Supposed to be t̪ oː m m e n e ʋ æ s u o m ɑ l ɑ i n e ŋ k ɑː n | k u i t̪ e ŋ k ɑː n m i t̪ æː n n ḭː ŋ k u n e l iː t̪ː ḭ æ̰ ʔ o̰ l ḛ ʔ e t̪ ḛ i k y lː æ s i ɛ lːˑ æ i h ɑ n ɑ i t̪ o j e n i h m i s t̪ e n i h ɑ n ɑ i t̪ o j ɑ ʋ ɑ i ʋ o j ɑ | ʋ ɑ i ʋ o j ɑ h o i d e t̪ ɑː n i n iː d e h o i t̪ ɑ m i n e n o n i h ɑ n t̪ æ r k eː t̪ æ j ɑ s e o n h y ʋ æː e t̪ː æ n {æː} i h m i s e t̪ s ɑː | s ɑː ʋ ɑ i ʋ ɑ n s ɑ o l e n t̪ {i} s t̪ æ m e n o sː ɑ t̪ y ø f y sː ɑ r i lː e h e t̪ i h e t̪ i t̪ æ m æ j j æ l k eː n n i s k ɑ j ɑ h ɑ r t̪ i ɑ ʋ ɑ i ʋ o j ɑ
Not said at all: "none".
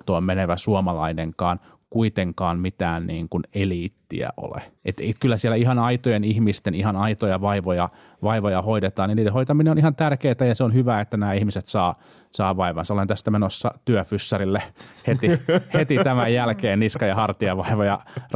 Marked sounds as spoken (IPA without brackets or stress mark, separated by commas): æː, æ